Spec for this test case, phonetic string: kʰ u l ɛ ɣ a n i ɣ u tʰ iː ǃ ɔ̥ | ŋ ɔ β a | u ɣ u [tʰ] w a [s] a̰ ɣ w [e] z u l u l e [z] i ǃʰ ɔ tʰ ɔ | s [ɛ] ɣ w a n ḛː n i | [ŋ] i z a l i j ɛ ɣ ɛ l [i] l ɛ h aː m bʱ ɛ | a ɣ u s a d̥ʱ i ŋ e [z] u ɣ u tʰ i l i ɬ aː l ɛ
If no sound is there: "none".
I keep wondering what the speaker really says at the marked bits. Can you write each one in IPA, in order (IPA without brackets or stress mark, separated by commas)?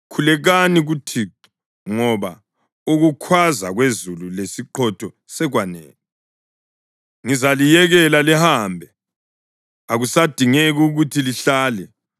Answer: kʰ, z, e, s, ɛ, ŋ, a, ɣ